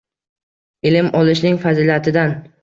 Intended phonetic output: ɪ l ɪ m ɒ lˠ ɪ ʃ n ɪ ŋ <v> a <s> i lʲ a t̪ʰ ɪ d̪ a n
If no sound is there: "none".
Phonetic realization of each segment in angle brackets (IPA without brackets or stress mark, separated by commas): f, z